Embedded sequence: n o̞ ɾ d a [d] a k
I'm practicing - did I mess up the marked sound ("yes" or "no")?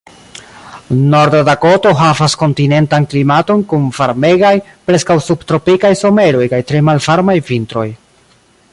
no